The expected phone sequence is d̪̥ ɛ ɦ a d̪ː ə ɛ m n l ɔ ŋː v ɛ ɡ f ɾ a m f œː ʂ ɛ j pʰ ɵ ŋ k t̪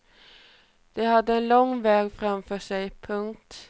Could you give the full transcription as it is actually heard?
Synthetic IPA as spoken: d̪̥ ɛ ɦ a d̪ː ə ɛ n l ɔ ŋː v ɛː ɡ f ɾ a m f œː ʂ ɛ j pʰ ɵ ŋ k t̪